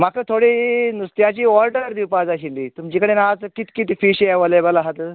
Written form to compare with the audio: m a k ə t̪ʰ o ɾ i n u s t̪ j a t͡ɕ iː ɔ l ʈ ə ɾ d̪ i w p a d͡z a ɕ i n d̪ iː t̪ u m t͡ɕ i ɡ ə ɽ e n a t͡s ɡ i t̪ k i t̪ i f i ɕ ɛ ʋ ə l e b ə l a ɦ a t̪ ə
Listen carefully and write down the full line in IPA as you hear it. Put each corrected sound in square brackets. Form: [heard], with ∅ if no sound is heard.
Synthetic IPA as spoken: m a k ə t̪ʰ o [ɽ] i n u s t̪ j a t͡ɕ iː ɔ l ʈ ə ɾ d̪ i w p a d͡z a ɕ i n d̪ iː t̪ u m t͡ɕ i [k] ə ɽ e n a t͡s [k] i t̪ k i t̪ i f i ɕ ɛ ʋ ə l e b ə l a ɦ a t̪ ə